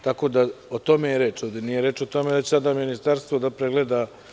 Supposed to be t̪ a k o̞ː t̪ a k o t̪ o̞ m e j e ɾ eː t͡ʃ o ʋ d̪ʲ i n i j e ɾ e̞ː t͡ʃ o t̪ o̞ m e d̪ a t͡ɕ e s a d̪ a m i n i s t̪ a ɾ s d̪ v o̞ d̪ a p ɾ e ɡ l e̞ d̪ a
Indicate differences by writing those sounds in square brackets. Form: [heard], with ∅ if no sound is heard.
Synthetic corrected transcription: t̪ a k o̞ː [d̪] a [∅] o t̪ o̞ m e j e ɾ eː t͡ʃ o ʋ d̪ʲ [e] n i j e ɾ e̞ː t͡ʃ o t̪ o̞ m e d̪ a t͡ɕ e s a d̪ a m i n i s t̪ a ɾ s [t̪] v o̞ d̪ a p ɾ e ɡ l e̞ d̪ a